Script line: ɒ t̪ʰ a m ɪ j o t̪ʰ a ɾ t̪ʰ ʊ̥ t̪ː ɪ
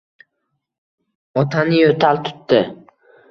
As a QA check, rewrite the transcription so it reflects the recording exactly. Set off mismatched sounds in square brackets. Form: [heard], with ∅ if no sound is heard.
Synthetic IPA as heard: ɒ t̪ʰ a [n] ɪ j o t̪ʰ a [l] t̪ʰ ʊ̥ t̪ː ɪ